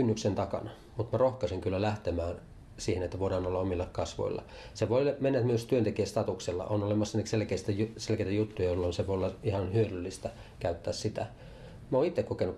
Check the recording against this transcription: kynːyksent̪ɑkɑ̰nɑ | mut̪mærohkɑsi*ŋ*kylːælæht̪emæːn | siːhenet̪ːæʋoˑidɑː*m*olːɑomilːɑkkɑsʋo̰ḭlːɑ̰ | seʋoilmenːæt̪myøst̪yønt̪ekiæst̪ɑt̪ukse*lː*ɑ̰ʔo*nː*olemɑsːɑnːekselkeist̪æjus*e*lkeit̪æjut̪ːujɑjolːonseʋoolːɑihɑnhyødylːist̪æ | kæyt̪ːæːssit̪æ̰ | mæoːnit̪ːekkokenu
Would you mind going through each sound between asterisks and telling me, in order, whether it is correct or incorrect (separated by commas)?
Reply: correct, incorrect, correct, incorrect, correct